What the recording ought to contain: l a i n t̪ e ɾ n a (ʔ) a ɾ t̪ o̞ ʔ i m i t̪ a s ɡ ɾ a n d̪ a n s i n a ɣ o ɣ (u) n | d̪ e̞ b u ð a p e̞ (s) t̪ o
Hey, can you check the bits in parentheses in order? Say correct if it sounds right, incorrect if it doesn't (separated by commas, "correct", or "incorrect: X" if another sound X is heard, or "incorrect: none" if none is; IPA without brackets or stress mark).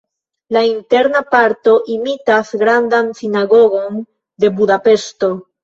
incorrect: p, incorrect: o, correct